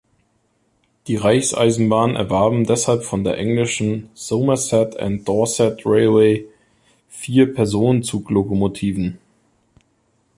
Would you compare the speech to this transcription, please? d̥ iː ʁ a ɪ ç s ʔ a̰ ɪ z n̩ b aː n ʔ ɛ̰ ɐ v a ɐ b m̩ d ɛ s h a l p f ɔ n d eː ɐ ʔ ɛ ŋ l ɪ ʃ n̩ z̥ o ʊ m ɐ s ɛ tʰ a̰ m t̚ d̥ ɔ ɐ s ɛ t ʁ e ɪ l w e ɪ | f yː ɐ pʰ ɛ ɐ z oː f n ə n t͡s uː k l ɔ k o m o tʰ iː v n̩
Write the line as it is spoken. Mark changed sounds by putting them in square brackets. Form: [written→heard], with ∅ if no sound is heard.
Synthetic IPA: d̥ iː ʁ a ɪ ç s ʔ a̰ ɪ z n̩ b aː n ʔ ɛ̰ ɐ v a ɐ b m̩ d ɛ s h a l p f ɔ n d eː ɐ ʔ ɛ ŋ l ɪ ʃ n̩ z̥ o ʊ m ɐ s ɛ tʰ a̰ [m→n] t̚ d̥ ɔ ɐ s ɛ t ʁ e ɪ l w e ɪ | f [yː→iː] ɐ pʰ ɛ ɐ z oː [f→∅] n ə n t͡s uː k l [ɔ→o] k o m o tʰ iː v n̩